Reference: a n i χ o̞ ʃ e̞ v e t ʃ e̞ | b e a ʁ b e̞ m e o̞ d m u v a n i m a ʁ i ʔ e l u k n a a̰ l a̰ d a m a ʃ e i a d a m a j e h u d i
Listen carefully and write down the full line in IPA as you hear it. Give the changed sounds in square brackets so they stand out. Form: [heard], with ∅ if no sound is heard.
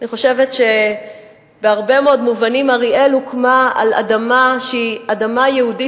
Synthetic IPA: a n i χ o̞ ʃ e̞ v e t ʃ e̞ | b e a ʁ b e̞ m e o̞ d m u v a n i m a ʁ i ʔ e l u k [m] a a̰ l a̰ d a m a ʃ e i a d a m a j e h u d i